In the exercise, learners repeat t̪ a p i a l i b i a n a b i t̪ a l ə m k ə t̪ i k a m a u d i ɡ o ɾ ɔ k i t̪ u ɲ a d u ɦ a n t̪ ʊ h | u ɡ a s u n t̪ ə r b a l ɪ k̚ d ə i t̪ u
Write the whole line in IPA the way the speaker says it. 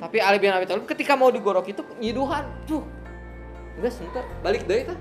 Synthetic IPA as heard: t̪ a p i a l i b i a n a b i t̪ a l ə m k ə t̪ i k a m a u d i ɡ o ɾ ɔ k i t̪ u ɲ i d u ɦ a n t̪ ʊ h | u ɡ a s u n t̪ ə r b a l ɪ k̚ d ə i t̪ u